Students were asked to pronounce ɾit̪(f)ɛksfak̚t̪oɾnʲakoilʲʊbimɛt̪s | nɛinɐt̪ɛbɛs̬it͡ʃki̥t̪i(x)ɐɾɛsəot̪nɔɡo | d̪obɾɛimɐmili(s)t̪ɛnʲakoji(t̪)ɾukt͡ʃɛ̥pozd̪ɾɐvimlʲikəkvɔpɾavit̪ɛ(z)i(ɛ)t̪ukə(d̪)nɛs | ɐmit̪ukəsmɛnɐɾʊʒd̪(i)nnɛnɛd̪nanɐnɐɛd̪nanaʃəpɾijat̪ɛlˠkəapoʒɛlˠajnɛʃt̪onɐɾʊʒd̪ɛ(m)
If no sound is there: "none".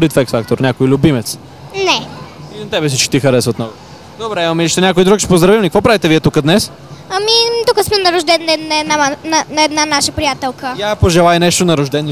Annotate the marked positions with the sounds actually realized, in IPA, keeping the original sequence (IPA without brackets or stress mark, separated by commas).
f, x, ʃ, d̪, v, ɛ, d̪, ɛ, n